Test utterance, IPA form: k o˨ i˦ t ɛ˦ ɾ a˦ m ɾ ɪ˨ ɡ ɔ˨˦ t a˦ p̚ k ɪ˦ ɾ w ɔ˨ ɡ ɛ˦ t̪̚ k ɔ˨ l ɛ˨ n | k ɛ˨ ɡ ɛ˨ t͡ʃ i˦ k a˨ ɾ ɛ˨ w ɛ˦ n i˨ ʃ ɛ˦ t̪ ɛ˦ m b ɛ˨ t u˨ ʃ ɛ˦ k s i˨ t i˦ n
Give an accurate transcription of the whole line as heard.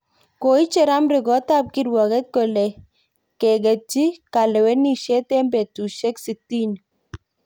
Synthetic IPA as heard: k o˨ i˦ t͡ʃ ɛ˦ ɾ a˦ m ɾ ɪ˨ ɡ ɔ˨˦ t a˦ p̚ k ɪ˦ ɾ w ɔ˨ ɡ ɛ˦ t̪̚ k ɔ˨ l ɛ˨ | k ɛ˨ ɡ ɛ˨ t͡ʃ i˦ k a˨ l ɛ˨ w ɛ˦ n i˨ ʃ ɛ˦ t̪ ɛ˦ m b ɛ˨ t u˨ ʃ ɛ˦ k s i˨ t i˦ n